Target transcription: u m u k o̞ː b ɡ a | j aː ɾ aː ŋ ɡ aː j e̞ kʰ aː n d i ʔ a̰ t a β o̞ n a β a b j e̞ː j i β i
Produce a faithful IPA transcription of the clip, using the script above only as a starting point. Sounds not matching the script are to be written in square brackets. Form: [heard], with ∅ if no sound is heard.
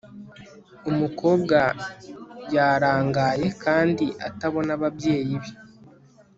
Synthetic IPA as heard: u m u k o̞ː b ɡ a | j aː ɾ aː ŋ ɡ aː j e̞ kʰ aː n d i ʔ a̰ t a β o̞ n a β a b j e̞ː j i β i